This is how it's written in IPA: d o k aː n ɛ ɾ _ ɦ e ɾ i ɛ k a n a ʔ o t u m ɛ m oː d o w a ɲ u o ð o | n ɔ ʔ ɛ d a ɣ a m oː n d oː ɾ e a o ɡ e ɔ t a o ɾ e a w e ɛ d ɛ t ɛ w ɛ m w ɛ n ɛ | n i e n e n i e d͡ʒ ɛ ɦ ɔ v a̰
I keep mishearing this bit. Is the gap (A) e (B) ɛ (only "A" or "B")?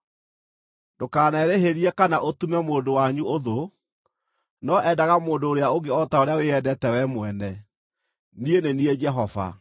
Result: A